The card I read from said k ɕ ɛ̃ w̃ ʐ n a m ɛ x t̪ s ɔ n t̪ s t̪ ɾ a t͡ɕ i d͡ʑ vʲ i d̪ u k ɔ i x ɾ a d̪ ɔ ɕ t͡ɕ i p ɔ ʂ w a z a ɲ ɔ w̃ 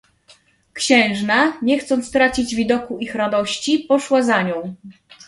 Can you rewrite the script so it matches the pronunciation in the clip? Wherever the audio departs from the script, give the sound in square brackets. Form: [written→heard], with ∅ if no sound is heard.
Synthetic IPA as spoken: k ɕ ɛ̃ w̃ ʐ n a [m→ɲ] ɛ x t̪ s ɔ n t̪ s t̪ ɾ a t͡ɕ i d͡ʑ vʲ i d̪ [u→ɔ] k [ɔ→u] i x ɾ a d̪ ɔ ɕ t͡ɕ i p ɔ ʂ w a z a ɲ [ɔ→ɔ̃] w̃